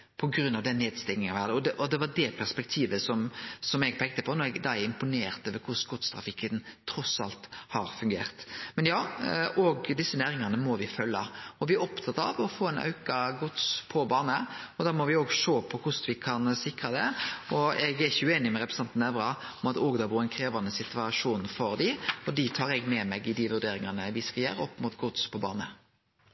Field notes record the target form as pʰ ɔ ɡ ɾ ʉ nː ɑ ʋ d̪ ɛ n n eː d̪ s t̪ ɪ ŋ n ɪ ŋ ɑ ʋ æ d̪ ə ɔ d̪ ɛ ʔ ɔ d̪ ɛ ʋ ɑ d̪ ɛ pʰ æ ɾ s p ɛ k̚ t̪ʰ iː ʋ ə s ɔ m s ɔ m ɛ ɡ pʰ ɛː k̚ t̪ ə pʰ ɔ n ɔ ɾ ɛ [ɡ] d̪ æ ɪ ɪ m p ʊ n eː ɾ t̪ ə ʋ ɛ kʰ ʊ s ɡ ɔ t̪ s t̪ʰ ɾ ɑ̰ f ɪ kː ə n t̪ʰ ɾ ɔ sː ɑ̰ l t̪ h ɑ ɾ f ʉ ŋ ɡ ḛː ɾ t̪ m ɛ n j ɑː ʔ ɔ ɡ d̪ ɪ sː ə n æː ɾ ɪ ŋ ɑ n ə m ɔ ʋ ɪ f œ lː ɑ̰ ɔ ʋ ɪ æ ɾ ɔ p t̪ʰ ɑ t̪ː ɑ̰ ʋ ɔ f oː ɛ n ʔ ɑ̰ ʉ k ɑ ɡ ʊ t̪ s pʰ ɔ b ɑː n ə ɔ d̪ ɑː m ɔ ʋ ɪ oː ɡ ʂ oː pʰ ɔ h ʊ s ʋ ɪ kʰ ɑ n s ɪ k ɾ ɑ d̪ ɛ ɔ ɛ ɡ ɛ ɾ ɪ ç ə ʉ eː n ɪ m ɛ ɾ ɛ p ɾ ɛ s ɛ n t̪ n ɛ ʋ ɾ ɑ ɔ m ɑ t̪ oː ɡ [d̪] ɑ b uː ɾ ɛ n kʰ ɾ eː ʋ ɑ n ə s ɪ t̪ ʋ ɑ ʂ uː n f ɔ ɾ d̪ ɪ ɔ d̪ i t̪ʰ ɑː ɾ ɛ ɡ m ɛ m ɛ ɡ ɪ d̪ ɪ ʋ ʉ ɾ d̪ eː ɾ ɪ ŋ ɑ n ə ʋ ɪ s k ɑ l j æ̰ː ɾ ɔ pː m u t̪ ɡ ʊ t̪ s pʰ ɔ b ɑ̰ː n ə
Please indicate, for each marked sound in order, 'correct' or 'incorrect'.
correct, correct

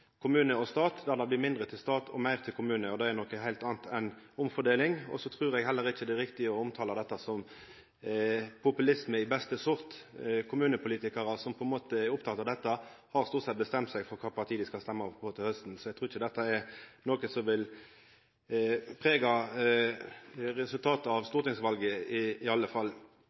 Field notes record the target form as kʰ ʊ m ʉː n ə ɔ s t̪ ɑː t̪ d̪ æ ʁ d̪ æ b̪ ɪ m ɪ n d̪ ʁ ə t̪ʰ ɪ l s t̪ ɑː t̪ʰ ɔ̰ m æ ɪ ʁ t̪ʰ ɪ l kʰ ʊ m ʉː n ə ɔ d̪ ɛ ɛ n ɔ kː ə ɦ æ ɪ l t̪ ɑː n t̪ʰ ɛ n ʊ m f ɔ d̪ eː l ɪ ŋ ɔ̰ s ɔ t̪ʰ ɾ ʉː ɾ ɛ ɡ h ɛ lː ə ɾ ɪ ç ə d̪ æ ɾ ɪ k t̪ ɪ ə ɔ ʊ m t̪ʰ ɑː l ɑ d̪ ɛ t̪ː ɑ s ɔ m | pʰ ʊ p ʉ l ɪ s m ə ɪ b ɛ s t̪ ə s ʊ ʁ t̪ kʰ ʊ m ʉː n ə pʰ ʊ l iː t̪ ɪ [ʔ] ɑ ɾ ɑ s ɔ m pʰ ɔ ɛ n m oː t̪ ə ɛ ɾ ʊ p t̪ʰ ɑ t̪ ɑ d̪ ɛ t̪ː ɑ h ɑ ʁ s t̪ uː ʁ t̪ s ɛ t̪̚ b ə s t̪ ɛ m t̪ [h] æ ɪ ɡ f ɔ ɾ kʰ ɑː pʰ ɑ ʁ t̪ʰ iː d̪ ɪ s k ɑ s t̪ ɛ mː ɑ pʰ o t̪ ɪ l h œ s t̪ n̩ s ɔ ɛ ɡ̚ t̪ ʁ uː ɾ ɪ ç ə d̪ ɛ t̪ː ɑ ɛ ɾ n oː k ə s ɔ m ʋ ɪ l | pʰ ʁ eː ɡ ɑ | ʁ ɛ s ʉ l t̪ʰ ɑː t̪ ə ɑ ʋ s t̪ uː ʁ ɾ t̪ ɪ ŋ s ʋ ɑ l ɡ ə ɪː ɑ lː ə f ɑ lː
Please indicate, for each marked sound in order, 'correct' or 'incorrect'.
incorrect: k, incorrect: s

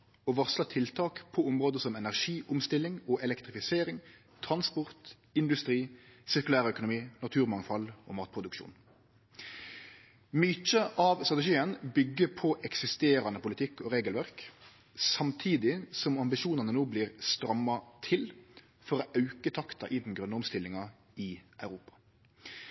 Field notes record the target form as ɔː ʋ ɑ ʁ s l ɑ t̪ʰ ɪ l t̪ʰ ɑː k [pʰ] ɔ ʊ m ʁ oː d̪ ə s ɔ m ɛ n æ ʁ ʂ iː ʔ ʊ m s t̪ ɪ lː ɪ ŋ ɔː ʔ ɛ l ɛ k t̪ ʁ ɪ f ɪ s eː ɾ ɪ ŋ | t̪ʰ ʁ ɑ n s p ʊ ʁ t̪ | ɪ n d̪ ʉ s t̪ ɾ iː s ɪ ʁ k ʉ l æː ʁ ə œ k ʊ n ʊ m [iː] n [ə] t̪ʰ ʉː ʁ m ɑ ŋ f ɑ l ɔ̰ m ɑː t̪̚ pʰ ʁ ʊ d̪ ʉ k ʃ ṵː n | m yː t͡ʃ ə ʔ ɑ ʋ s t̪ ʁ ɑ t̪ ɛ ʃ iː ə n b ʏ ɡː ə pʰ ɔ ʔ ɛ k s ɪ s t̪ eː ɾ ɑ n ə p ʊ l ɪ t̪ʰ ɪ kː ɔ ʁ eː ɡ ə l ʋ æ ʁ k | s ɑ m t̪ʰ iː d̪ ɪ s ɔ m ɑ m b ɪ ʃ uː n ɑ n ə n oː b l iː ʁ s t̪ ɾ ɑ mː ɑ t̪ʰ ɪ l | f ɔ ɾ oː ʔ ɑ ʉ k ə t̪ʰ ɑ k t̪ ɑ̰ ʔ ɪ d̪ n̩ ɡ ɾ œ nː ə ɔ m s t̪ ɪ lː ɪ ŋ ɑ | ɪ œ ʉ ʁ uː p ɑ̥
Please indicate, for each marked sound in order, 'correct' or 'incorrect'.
correct, correct, incorrect: ɑ

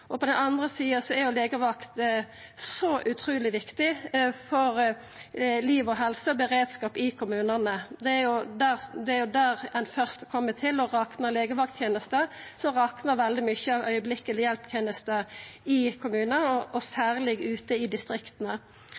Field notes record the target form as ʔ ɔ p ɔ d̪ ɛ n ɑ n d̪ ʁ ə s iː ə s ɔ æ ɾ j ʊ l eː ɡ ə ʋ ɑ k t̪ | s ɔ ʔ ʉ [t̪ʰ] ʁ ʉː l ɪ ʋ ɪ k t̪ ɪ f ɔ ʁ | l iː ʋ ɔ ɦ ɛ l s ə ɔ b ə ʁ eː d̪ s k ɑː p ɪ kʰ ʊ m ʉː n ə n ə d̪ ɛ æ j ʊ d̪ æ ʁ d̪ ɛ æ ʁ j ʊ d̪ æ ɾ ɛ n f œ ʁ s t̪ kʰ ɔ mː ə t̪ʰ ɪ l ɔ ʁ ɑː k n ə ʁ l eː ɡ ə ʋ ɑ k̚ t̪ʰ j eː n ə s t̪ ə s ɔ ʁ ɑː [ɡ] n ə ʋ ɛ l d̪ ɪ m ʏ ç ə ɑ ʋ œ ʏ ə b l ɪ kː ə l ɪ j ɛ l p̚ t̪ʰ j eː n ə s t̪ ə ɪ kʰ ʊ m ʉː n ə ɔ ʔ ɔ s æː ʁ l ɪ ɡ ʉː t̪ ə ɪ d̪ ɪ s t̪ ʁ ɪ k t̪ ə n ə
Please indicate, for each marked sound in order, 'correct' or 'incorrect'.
correct, incorrect: k

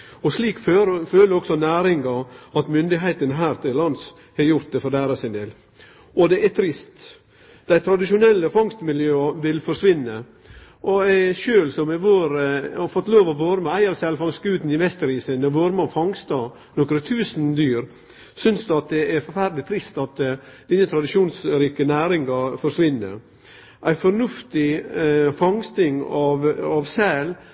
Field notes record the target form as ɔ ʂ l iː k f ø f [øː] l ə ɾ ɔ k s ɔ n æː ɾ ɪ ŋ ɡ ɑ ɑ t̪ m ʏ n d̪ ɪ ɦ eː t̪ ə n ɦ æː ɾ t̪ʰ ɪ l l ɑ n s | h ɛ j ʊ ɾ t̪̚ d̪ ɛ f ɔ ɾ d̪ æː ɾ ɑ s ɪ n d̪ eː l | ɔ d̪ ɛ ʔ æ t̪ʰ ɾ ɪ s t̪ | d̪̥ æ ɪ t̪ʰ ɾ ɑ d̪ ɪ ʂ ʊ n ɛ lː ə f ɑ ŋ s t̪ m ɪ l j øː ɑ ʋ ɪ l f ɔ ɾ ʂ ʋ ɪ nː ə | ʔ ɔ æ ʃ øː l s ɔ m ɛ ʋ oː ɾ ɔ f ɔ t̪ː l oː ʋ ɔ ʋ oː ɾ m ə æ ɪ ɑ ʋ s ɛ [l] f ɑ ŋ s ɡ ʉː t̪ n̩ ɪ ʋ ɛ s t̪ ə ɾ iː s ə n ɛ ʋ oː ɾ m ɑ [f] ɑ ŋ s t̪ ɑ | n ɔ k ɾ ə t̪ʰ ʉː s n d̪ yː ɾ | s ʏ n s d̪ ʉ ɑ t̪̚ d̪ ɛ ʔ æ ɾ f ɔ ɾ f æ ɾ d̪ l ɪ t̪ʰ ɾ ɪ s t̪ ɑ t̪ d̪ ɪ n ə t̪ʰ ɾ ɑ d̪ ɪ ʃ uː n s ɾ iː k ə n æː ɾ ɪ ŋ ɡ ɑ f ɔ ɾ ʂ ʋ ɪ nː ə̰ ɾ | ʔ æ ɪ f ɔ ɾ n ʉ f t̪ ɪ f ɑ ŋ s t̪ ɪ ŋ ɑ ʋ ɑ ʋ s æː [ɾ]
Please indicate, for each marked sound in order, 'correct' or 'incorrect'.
correct, correct, correct, incorrect: l

